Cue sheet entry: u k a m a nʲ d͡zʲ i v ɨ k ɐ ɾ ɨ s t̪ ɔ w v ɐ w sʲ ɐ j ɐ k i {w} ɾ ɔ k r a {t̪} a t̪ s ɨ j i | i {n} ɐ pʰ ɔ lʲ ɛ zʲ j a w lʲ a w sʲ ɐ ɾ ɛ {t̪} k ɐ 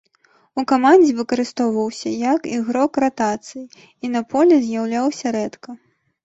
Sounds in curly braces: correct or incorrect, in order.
incorrect, correct, correct, correct

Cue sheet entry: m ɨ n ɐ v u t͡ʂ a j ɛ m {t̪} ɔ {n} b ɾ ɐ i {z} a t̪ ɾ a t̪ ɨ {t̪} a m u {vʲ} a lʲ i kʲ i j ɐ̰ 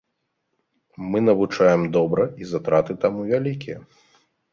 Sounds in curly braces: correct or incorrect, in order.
incorrect, incorrect, correct, correct, correct

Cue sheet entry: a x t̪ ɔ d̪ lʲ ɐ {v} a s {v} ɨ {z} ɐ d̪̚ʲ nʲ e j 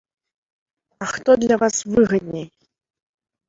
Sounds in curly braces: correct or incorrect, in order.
correct, correct, incorrect

